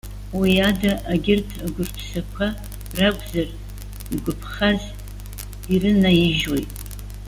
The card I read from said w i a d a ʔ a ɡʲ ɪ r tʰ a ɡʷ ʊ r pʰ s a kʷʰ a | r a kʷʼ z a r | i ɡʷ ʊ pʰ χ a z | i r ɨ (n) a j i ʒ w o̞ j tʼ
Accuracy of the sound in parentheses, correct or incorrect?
correct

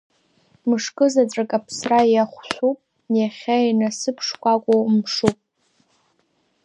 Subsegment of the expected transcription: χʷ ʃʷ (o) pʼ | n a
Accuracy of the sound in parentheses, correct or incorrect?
incorrect: u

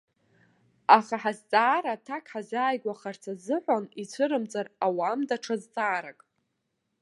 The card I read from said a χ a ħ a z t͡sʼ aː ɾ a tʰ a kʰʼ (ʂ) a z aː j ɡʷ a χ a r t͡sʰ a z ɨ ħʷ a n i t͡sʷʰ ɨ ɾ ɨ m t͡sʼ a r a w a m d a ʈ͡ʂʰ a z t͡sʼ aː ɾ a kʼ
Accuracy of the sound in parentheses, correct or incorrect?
incorrect: ħ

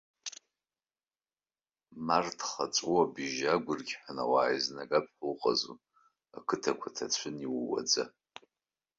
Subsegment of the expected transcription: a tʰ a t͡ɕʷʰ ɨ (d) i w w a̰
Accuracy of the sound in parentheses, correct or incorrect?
incorrect: n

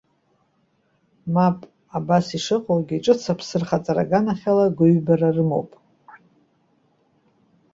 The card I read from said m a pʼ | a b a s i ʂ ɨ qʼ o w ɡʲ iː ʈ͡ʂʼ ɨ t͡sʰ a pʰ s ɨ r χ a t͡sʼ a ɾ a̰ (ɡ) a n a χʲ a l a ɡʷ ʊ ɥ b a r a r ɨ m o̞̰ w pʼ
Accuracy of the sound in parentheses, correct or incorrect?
correct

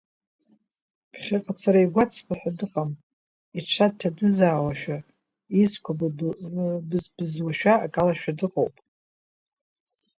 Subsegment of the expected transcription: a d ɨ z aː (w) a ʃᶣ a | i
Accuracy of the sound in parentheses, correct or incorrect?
correct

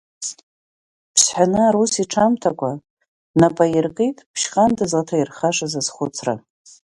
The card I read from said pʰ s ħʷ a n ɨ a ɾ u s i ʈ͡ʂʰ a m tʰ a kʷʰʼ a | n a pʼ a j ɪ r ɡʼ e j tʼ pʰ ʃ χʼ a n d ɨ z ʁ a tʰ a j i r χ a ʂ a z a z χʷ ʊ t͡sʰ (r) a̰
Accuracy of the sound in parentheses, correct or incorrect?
correct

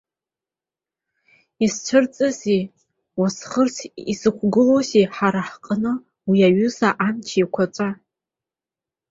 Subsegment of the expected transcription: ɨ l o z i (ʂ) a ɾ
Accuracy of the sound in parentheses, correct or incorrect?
incorrect: ħ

